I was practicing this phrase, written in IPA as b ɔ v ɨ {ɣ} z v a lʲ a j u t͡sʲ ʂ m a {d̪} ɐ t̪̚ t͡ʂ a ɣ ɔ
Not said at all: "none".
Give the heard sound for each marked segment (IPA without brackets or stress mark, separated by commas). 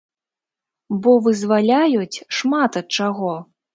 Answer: none, t̪